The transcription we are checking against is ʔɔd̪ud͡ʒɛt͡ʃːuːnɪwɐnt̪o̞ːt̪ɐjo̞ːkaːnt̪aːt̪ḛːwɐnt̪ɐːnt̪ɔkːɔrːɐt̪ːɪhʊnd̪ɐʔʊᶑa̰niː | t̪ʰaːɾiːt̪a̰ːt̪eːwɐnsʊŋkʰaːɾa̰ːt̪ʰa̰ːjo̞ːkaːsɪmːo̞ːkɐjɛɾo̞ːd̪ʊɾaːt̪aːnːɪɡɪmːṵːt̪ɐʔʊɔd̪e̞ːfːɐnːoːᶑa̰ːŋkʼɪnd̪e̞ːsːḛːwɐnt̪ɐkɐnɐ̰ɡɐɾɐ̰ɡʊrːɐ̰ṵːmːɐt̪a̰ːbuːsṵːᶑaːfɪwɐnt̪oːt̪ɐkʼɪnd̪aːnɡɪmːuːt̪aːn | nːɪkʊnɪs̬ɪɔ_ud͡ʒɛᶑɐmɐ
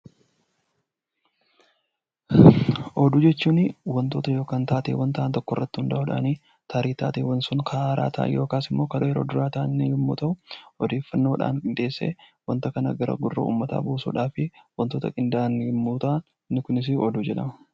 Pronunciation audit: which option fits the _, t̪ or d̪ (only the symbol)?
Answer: d̪